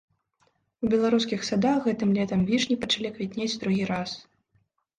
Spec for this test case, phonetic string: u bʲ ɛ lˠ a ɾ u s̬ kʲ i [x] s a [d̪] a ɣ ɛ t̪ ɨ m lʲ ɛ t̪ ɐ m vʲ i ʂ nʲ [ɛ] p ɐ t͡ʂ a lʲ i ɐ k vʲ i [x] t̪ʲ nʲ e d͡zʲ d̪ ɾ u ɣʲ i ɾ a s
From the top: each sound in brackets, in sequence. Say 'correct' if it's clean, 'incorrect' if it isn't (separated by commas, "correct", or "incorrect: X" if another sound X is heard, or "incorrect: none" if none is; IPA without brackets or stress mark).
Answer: correct, correct, incorrect: i, incorrect: none